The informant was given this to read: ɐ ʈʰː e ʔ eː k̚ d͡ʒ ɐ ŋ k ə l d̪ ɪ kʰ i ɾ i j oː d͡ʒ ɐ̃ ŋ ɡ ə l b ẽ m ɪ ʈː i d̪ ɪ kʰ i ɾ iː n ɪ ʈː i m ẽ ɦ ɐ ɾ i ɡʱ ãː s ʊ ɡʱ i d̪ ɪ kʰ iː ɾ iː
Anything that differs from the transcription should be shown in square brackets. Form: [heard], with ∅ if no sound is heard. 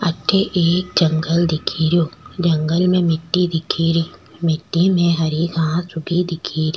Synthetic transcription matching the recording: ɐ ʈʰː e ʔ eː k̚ d͡ʒ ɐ ŋ [ɡ] ə l d̪ ɪ kʰ i ɾ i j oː d͡ʒ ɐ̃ ŋ ɡ ə l [m] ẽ m ɪ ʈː i d̪ ɪ kʰ i ɾ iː [m] ɪ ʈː i m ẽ ɦ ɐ ɾ i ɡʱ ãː s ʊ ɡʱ i d̪ ɪ kʰ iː ɾ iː